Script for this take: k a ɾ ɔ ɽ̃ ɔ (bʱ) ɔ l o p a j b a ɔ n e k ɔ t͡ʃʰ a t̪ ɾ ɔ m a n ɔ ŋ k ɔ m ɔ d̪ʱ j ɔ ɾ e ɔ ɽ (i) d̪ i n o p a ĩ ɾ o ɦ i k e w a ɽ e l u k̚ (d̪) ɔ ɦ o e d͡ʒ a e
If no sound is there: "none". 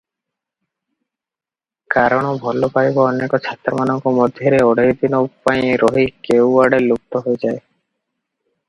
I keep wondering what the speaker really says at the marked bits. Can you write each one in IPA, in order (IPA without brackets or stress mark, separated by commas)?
bʱ, e, t̪